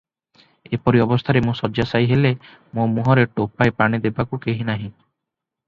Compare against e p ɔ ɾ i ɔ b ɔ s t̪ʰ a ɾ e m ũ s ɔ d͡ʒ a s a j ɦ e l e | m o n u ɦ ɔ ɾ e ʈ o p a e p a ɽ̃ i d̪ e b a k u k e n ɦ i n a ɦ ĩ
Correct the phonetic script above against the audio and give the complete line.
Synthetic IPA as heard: e p ɔ ɾ i ɔ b ɔ s t̪ʰ a ɾ e m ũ s ɔ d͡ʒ a s a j ɦ e l e | m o m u ɦ ɔ ɾ e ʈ o p a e p a ɽ̃ i d̪ e b a k u k e ɦ i n a ɦ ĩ